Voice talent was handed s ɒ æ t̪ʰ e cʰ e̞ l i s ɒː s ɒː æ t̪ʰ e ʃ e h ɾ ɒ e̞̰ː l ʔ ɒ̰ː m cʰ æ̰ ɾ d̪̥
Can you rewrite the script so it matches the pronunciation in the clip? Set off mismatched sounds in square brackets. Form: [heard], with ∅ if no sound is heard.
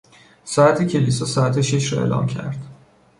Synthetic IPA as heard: s ɒ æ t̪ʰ e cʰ e̞ l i s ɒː s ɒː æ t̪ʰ e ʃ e [ʃ] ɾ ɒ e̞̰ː l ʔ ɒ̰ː m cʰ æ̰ ɾ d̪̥